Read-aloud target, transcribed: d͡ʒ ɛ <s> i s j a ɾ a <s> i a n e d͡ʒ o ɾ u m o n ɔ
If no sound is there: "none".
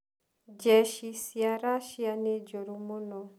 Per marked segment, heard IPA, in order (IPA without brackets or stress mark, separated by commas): ʃ, ʃ